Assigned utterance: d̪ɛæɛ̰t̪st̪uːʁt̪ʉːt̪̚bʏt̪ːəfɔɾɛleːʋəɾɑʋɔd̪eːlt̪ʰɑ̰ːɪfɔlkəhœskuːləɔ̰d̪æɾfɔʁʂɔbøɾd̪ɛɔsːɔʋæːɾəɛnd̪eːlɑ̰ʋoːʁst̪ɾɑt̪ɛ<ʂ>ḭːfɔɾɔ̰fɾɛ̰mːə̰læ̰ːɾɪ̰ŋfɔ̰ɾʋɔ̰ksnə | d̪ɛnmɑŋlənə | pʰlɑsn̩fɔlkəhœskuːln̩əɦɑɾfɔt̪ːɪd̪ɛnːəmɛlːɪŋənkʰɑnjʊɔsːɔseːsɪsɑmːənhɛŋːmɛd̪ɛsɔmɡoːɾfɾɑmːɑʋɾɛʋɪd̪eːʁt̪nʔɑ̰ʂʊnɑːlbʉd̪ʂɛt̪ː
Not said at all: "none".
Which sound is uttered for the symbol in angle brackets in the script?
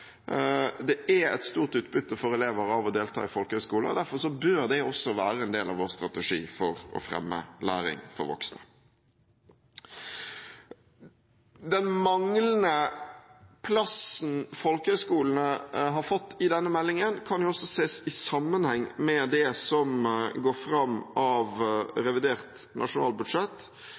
ʂ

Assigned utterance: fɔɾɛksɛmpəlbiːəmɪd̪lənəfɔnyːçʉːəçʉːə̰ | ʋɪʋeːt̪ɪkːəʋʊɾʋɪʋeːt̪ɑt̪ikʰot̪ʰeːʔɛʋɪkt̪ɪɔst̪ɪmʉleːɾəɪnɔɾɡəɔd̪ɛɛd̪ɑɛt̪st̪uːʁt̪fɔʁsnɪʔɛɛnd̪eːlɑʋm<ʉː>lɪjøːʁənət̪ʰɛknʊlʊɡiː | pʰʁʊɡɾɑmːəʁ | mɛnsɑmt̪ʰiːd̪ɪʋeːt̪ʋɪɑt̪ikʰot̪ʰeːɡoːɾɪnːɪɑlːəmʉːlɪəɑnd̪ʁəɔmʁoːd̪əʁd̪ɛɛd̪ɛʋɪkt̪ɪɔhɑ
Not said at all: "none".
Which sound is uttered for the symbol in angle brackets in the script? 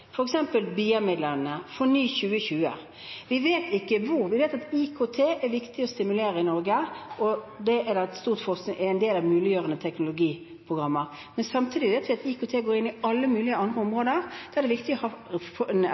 ʉː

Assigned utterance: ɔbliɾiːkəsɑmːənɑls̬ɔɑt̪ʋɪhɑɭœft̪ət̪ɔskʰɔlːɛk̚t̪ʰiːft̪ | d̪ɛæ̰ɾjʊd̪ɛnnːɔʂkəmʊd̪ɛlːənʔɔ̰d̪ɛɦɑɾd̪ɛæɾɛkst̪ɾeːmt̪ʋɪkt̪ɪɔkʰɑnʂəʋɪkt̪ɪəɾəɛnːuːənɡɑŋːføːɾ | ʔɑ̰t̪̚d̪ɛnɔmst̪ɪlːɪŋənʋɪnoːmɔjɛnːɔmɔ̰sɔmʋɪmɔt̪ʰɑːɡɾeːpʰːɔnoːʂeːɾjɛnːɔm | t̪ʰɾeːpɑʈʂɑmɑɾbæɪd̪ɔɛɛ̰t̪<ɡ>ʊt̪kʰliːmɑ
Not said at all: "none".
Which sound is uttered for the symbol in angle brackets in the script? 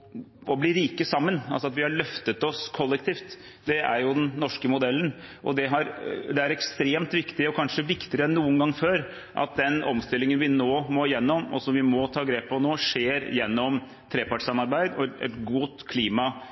ɡ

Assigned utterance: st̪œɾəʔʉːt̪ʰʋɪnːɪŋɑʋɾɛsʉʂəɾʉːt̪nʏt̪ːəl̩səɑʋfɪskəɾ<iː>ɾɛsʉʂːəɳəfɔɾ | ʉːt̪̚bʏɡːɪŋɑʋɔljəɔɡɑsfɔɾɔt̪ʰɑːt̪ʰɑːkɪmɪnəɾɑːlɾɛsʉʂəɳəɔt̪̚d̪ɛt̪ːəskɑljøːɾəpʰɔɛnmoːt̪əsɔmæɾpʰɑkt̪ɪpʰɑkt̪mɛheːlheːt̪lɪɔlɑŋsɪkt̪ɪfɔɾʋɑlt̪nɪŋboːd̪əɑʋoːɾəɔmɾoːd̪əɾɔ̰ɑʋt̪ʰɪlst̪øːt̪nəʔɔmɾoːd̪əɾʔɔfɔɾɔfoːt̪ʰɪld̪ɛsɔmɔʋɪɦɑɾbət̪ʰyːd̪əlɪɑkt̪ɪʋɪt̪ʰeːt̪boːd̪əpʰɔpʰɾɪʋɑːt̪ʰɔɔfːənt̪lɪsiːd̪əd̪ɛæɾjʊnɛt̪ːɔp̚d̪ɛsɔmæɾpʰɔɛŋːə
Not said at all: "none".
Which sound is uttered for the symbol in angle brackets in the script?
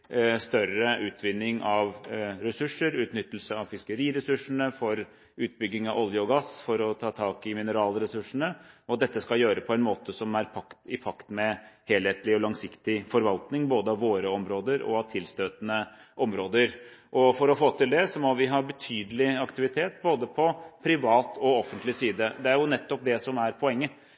iː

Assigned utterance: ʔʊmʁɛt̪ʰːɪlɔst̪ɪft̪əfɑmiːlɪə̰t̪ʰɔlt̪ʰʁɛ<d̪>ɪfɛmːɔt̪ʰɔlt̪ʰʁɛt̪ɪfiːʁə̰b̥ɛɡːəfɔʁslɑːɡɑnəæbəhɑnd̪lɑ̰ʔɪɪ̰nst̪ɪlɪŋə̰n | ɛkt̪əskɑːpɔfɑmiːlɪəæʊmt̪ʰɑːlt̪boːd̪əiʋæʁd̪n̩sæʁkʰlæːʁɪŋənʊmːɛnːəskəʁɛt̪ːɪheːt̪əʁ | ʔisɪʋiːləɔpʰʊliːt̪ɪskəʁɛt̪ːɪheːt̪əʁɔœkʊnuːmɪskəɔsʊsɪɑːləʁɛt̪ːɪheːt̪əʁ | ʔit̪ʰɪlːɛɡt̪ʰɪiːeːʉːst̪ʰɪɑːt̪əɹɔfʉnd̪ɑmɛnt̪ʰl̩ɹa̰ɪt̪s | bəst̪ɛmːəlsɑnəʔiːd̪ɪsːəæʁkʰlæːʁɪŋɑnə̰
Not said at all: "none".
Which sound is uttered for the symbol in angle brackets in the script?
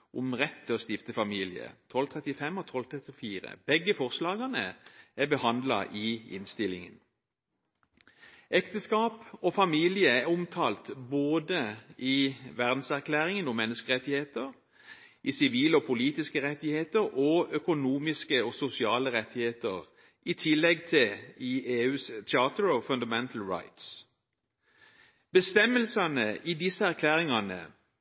t̪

